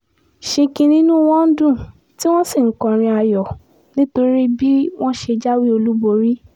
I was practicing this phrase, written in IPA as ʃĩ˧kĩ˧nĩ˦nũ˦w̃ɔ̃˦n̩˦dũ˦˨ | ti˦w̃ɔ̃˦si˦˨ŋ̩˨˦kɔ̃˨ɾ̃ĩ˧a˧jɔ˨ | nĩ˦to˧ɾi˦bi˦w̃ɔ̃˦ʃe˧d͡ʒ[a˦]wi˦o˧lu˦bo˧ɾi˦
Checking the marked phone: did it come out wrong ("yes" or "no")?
no